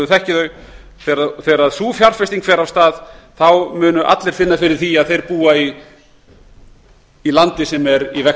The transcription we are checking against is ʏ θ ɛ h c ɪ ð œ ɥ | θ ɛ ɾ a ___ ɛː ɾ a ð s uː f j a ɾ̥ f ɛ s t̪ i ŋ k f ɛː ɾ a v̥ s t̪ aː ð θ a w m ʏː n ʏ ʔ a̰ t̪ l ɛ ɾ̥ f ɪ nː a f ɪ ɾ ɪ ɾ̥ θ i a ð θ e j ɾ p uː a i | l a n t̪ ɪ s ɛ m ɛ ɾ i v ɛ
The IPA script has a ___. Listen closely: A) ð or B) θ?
B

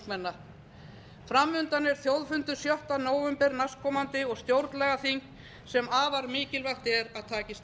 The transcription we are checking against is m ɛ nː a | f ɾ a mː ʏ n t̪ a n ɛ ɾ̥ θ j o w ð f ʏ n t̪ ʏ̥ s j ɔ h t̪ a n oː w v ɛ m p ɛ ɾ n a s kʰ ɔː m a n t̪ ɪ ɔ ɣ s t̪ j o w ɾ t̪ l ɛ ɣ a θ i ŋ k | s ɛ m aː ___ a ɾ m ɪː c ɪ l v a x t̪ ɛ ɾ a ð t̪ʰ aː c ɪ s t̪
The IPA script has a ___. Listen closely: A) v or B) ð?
A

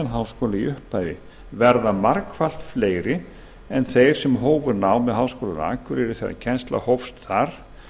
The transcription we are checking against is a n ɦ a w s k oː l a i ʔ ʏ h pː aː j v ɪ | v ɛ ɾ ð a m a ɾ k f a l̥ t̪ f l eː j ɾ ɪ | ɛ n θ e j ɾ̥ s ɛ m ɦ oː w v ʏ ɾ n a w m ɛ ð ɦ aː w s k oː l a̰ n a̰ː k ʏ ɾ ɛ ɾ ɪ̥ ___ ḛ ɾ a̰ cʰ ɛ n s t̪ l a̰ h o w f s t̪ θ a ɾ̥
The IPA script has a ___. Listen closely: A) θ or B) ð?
A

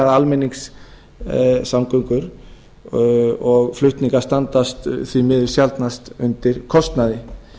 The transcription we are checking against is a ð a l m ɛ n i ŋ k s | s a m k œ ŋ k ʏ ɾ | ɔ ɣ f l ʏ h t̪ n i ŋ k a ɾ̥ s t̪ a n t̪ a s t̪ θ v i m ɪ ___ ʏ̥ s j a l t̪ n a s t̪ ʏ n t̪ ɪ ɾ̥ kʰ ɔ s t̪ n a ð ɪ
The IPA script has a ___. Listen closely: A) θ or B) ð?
B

